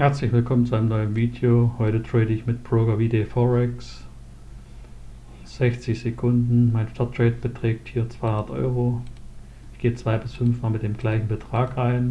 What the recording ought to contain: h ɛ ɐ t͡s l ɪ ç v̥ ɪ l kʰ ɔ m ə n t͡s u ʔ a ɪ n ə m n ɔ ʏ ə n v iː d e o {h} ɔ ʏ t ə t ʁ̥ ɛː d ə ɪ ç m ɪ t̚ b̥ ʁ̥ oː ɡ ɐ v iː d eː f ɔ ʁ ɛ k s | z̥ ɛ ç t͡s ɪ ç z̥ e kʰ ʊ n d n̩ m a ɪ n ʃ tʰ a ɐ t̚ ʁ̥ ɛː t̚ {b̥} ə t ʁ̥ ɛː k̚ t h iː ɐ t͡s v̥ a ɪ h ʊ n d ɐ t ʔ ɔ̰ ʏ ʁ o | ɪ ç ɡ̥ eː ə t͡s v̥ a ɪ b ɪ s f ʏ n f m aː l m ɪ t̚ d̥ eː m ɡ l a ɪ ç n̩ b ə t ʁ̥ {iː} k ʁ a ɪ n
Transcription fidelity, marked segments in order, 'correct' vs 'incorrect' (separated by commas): correct, correct, incorrect